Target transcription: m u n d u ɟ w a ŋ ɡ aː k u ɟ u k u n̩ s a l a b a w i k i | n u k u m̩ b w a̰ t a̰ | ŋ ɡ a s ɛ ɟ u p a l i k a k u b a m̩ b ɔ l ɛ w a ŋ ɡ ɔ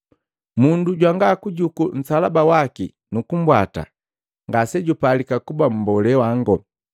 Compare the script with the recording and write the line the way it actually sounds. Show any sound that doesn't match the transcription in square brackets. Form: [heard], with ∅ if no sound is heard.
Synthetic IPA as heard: m u n d u ɟ w a ŋ ɡ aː k u ɟ u k u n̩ s a l a b a w [a] k i | n u k u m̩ b w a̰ t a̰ | ŋ ɡ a s ɛ ɟ u p a l i k a k u b a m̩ b ɔ l ɛ w a ŋ ɡ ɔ